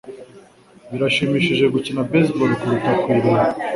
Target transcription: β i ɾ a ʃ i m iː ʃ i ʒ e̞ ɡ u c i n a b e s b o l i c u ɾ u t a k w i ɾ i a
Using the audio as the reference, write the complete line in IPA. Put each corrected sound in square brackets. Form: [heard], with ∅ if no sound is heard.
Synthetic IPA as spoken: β i ɾ a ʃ i m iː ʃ i ʒ e̞ ɡ u c i n a b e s b o l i [k] u ɾ u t a k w i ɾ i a